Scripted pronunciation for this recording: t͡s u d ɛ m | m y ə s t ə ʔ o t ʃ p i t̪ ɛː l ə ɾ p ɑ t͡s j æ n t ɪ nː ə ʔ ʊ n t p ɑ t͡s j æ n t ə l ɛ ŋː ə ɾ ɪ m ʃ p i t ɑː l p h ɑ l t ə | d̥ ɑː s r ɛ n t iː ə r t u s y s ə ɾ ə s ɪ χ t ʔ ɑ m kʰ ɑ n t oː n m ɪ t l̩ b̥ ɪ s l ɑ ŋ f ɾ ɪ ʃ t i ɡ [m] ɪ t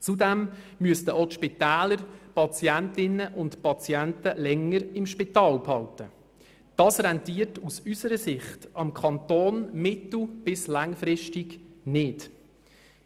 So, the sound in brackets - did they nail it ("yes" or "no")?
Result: no